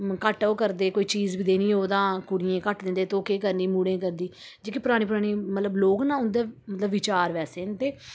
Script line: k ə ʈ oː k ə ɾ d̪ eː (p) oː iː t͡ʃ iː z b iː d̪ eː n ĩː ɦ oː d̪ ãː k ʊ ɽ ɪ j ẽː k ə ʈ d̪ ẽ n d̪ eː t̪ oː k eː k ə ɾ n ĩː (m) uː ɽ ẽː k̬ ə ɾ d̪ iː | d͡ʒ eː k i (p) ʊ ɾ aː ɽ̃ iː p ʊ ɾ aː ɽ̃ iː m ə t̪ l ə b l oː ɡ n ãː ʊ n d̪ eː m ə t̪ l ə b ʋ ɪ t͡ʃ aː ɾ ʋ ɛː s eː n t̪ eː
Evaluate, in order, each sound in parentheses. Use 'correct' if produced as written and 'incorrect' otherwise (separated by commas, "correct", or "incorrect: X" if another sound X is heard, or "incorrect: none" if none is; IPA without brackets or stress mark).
incorrect: k, correct, correct